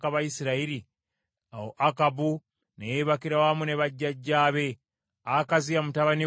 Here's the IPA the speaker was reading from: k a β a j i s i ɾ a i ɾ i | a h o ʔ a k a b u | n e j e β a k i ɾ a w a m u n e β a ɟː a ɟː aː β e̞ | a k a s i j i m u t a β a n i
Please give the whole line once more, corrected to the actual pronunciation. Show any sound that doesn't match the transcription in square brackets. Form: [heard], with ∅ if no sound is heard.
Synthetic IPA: k a β a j i s i ɾ a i ɾ i | a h o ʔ a k a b u | n e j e β a k i ɾ a w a m u n e β a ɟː a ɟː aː β e̞ | a k a [z] i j [a] m u t a β a n i